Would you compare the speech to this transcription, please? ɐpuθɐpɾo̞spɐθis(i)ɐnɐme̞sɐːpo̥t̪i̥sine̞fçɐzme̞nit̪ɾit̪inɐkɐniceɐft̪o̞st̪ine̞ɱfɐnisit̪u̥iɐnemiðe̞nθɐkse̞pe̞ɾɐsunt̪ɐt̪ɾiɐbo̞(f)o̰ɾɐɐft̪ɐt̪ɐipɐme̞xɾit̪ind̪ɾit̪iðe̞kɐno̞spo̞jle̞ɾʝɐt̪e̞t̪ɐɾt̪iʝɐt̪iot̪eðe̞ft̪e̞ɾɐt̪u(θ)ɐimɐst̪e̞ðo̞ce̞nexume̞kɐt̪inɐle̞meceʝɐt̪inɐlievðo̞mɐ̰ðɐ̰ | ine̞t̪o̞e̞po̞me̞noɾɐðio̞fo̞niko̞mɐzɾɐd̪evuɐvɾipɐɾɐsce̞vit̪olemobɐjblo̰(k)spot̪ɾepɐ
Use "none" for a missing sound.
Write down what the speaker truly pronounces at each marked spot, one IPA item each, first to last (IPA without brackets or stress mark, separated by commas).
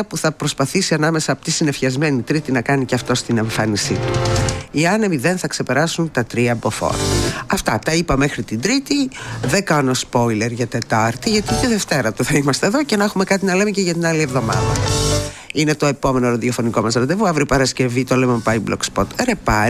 i, f, θ, k